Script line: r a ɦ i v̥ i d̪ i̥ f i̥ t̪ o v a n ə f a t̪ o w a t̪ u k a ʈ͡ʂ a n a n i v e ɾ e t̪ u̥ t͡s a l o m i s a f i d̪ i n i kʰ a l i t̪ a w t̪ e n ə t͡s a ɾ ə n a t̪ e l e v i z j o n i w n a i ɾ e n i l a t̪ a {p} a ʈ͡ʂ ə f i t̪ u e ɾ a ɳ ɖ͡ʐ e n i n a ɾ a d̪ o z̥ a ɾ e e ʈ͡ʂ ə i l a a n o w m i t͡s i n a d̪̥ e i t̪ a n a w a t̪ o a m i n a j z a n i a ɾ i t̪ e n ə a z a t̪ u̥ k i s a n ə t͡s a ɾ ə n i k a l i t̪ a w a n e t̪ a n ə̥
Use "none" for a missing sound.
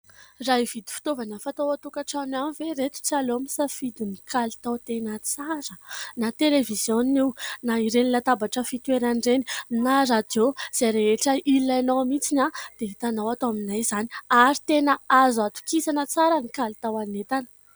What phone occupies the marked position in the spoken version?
b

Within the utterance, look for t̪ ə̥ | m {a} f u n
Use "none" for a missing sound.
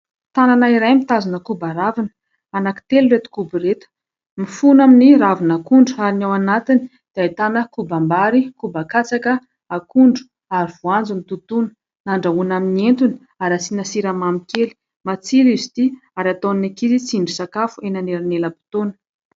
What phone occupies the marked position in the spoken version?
i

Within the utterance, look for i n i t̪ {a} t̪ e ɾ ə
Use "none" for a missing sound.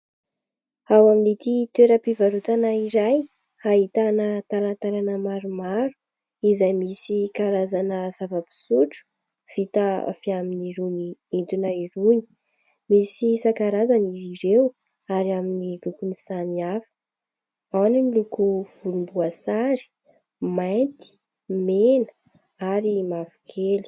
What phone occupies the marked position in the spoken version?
i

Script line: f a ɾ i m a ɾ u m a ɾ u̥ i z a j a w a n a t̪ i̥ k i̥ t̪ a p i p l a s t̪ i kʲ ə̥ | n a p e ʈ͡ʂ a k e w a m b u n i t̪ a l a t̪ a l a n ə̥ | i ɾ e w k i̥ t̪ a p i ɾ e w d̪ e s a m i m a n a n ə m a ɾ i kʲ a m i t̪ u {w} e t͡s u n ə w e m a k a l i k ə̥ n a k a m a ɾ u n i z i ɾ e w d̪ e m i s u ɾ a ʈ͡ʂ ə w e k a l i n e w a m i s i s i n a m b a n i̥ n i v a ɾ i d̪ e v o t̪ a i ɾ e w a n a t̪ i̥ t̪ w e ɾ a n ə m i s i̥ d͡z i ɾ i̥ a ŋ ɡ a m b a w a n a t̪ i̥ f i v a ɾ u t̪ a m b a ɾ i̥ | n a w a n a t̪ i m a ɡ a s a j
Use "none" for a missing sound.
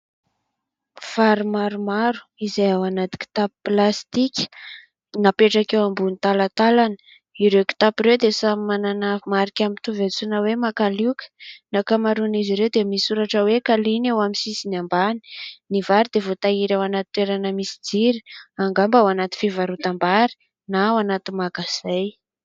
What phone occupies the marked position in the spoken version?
v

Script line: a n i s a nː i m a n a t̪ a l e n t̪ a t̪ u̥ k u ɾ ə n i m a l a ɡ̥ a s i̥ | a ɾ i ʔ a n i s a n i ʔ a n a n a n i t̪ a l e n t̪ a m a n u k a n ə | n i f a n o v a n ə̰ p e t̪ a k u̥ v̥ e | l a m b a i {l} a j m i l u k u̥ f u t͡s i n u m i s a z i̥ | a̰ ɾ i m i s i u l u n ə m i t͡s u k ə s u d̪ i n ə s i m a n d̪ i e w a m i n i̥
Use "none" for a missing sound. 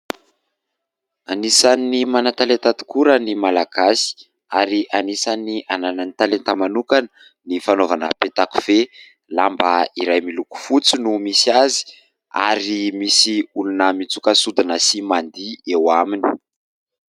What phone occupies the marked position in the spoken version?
ɾ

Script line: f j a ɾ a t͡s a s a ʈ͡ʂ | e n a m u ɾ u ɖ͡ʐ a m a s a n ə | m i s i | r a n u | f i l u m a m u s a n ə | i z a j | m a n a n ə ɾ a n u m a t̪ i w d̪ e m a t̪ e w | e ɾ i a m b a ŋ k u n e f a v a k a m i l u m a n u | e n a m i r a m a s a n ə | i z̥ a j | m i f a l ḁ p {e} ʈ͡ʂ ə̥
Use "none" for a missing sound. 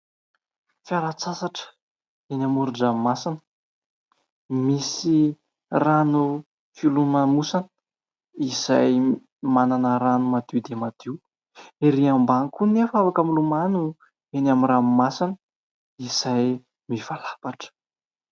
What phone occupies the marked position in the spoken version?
a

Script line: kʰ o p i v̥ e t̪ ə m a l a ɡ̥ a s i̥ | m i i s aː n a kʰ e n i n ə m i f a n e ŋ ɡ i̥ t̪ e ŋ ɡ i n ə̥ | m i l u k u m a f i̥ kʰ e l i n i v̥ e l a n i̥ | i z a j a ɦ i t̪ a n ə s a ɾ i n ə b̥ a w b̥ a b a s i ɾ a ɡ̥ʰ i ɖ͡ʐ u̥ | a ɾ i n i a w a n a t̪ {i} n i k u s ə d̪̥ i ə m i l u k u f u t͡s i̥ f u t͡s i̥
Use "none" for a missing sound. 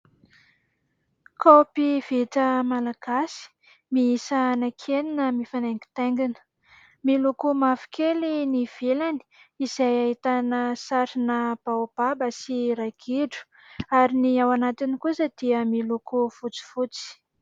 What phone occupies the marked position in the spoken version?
i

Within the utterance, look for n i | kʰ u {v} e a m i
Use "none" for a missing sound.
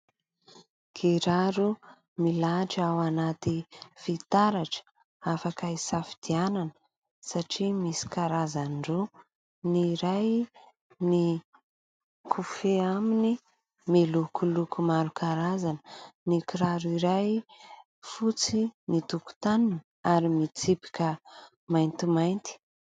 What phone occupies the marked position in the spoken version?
f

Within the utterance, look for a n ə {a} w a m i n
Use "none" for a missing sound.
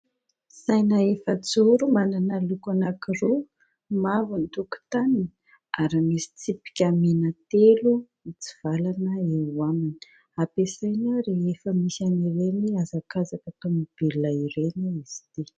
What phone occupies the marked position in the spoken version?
e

